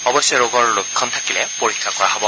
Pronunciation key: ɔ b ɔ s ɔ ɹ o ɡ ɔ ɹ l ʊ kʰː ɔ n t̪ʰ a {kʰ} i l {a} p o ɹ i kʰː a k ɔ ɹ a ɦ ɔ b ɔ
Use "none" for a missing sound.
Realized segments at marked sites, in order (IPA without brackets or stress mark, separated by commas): k, ɛ